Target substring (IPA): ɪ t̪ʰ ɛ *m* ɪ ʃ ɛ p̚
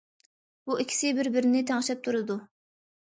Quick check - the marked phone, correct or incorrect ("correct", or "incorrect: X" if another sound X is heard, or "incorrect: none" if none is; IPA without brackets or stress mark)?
incorrect: ŋ